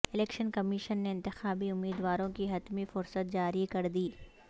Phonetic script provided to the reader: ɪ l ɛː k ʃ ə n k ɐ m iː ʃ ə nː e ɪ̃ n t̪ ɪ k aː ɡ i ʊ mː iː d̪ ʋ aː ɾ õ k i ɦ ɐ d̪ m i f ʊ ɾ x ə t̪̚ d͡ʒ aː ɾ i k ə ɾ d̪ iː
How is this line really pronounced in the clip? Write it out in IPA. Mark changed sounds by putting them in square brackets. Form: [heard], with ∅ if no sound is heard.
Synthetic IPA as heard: ɪ l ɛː k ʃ ə n k ɐ m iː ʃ ə nː e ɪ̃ n t̪ ɪ [x] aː [b] i ʊ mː iː d̪ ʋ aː ɾ õ k i ɦ ɐ [t̪] m i f ʊ ɾ [s] ə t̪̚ d͡ʒ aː ɾ i k [ɐ] ɾ d̪ iː

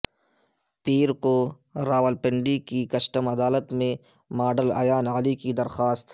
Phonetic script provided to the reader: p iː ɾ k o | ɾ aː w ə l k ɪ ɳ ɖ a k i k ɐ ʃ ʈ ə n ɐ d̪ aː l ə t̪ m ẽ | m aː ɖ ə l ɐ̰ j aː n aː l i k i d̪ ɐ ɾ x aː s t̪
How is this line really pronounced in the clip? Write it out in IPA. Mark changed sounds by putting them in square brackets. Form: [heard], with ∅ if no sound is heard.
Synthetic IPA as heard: p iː ɾ k o | ɾ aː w ə l [p] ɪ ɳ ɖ [i] k i k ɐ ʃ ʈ ə [m] ɐ d̪ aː l ə t̪ m ẽ | m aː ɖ ə l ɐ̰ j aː n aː l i k i d̪ ɐ ɾ x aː s t̪

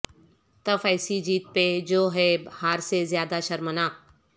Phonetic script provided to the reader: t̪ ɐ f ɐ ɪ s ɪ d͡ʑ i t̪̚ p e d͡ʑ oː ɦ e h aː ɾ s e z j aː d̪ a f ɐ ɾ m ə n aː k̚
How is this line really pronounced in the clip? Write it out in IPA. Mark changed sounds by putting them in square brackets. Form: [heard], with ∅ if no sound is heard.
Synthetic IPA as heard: t̪ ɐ f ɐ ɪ s [i] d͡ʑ [iː] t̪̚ p e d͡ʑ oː ɦ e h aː ɾ s e z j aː d̪ a [ʃ] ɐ ɾ m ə n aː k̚

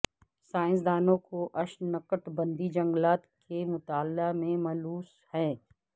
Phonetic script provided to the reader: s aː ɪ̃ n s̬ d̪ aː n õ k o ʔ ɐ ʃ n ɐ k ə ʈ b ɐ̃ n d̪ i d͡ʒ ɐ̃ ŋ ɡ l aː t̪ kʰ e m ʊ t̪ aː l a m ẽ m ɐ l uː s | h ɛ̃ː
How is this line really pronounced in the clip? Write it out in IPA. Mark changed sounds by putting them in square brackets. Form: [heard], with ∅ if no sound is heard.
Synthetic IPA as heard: s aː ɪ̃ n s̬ d̪ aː n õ k o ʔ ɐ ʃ n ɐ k ə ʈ b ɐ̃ n d̪ i d͡ʒ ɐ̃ ŋ ɡ l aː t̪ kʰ e m ʊ t̪ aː l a m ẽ m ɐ l uː s | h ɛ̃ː

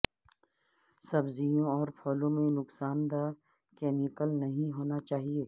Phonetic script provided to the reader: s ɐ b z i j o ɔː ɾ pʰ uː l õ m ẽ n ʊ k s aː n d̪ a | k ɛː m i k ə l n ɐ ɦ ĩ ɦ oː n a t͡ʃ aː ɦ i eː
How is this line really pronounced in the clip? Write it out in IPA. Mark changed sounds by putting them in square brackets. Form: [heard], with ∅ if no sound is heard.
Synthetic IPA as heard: s ɐ b z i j [õ] ɔː ɾ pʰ [ɔː] l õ m ẽ n ʊ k s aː n d̪ a | k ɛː m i k ə l n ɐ ɦ ĩ ɦ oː n a t͡ʃ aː ɦ i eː

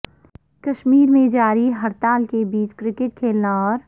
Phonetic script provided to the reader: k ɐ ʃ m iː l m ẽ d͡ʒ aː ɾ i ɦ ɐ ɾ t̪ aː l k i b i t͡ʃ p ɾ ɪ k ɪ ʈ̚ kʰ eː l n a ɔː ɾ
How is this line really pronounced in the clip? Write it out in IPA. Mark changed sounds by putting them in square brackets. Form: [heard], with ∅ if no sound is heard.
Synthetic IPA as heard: k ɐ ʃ m iː [ɾ] m ẽ d͡ʒ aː ɾ i ɦ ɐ ɾ t̪ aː l k [e] b [iː] t͡ʃ [k] ɾ ɪ k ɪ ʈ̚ kʰ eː l n a ɔː ɾ

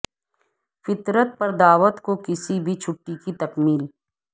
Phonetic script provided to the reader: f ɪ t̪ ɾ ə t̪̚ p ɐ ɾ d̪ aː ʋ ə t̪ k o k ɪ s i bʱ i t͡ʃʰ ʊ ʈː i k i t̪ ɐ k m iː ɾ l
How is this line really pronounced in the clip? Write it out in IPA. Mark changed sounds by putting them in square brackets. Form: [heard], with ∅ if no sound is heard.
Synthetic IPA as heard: f ɪ t̪ ɾ ə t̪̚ p ɐ ɾ d̪ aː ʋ ə t̪ k o k ɪ s i bʱ i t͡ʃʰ ʊ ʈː i k i t̪ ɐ k m iː [∅] l

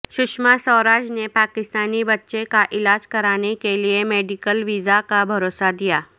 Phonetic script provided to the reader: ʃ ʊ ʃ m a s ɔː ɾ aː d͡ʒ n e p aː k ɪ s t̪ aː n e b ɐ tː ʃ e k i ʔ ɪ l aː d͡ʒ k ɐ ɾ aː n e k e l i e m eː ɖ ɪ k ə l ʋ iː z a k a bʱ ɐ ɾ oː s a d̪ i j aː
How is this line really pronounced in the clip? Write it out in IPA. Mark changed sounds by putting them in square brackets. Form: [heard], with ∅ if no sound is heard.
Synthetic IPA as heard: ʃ ʊ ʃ m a s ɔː ɾ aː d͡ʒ n e p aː k ɪ s t̪ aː n [i] b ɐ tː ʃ e k [a] ʔ ɪ l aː d͡ʒ k ɐ ɾ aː n e k e l i e m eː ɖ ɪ k ə l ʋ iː z a k a bʱ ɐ ɾ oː s a d̪ i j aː

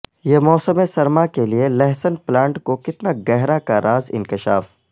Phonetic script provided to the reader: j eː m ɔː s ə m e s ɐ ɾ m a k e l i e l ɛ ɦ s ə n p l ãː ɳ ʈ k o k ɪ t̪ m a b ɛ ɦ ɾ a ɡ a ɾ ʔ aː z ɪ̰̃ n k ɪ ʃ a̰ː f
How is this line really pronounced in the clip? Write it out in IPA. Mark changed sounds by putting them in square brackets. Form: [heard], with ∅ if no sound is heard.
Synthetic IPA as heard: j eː m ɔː s ə m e s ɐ ɾ m a k e l i e l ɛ ɦ s ə n p l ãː ɳ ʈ k o k ɪ t̪ [n] a [ɡ] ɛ ɦ ɾ a [k] a ɾ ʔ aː z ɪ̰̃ n k ɪ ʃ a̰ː f

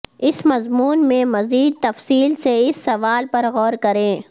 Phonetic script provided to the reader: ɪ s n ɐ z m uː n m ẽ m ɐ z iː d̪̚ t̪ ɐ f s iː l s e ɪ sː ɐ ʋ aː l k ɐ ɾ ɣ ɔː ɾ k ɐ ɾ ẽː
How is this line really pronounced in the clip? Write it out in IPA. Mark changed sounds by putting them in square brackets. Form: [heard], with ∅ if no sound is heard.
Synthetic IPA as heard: ɪ s [m] ɐ z m uː n m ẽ m ɐ z iː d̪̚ t̪ ɐ f s iː l s e ɪ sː ɐ ʋ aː l [p] ɐ ɾ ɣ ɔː ɾ k ɐ ɾ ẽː

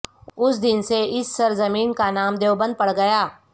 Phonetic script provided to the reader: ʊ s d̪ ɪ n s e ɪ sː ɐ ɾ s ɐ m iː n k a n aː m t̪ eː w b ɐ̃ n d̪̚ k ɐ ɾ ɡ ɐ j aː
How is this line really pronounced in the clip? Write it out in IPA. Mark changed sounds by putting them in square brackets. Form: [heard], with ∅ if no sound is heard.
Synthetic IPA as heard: ʊ s d̪ ɪ n s e ɪ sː ɐ ɾ [z] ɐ m iː n k a n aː m [d̪] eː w b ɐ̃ n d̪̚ [p] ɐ [ɽ] ɡ ɐ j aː

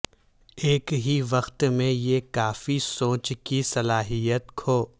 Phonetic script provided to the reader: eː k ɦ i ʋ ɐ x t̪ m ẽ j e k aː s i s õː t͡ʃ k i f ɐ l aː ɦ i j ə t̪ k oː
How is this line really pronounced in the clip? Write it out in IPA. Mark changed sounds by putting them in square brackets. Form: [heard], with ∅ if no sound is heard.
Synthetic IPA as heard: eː k ɦ i ʋ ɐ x t̪ m ẽ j e k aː [f] i s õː t͡ʃ k i [s] ɐ l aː ɦ i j ə t̪ [kʰ] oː

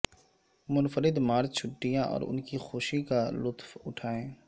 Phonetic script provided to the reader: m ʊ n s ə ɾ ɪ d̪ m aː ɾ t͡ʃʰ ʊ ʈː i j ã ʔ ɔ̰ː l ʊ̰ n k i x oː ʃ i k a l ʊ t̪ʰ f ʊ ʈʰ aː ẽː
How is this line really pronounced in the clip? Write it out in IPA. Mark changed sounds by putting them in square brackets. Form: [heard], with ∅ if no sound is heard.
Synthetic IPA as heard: m ʊ n [f] ə ɾ ɪ d̪ m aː ɾ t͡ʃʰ ʊ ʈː i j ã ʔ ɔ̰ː [ɾ] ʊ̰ n k i x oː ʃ i k a l ʊ [t̪] f ʊ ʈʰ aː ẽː

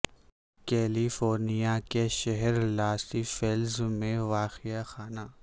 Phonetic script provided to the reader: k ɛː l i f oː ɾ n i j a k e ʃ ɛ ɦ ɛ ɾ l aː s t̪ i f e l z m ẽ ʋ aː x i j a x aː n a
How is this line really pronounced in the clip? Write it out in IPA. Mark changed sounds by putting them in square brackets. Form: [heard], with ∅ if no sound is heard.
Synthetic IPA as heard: k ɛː l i f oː ɾ n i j a k e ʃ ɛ ɦ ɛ ɾ l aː s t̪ i f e l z m ẽ ʋ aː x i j a x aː n a

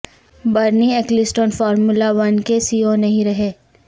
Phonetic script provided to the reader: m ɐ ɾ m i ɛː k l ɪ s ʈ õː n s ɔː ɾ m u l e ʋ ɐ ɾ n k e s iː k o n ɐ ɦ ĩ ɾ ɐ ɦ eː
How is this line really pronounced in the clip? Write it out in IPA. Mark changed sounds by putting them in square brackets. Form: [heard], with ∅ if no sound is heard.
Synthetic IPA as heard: [b] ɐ ɾ [n] i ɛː k l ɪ s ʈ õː n [f] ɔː ɾ m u l [a] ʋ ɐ [∅] n k e s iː [∅] o n ɐ ɦ ĩ ɾ ɐ ɦ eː

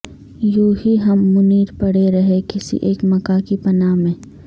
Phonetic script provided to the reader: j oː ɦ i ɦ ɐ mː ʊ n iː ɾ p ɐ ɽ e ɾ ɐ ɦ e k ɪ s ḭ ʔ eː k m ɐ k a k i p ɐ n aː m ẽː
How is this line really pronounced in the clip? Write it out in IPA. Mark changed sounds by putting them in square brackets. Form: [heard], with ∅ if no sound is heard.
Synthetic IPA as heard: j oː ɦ i ɦ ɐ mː ʊ n iː ɾ p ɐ ɽ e ɾ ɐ ɦ e k ɪ s ḭ ʔ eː k m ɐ k a k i p ɐ n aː m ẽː

